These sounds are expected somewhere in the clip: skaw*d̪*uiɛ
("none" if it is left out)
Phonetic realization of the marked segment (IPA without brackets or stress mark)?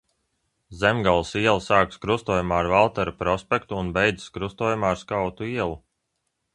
t̪